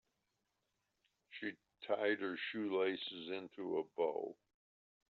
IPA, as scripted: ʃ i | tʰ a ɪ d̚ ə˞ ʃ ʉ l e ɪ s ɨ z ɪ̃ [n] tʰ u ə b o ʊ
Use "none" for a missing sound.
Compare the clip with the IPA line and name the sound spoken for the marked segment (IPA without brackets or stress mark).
n